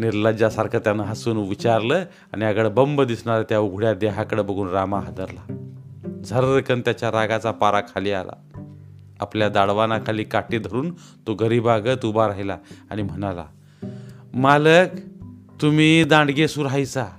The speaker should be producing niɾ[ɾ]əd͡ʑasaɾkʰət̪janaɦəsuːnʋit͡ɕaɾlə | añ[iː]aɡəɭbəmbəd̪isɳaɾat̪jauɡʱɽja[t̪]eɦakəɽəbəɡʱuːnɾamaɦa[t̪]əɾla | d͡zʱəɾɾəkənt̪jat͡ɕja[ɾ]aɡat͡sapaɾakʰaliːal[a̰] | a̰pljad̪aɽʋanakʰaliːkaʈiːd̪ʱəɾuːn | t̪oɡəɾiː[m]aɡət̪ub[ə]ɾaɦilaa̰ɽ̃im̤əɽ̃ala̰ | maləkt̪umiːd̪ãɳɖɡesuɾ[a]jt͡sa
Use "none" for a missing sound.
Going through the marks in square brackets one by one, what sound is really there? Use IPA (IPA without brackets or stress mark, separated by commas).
l, i, d̪, d̪, ɾ, a̰, b, a, a